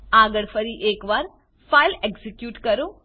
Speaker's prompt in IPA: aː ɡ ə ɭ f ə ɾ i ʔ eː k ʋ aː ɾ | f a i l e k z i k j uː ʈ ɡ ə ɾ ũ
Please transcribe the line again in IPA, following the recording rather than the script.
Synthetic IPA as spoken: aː ɡ ə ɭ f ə ɾ i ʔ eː k ʋ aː ɾ | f a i l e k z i k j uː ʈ k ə ɾ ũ